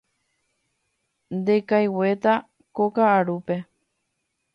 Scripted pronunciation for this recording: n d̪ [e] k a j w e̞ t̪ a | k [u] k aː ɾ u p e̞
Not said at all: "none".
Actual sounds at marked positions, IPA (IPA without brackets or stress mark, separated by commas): e, o